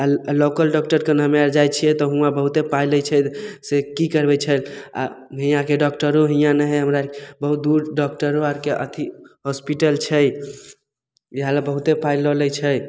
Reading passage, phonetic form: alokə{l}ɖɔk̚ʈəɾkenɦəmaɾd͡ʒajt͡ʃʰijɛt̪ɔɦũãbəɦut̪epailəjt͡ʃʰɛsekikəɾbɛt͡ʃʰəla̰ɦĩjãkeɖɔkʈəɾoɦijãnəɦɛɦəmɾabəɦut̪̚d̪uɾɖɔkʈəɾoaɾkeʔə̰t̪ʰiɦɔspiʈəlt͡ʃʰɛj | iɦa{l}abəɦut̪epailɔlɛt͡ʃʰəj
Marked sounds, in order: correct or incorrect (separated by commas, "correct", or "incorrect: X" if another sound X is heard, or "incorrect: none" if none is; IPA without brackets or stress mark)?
correct, correct